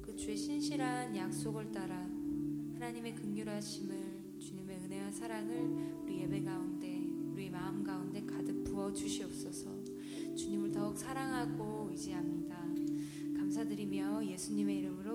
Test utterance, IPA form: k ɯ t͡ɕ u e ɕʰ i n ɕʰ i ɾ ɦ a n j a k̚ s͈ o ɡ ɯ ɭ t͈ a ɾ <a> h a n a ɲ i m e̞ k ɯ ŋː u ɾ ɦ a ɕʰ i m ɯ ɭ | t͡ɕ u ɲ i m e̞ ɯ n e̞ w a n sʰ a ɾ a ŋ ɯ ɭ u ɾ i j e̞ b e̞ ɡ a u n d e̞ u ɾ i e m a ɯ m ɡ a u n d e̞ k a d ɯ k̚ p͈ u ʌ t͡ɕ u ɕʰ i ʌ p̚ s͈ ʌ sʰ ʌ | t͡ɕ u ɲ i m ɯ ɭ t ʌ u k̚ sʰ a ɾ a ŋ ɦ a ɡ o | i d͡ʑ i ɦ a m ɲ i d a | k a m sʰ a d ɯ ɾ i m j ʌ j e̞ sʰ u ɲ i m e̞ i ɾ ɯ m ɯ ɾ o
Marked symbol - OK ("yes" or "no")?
yes